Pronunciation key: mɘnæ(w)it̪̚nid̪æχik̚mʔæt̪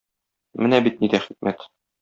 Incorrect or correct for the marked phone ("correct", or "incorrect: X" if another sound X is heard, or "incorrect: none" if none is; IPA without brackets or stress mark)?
incorrect: b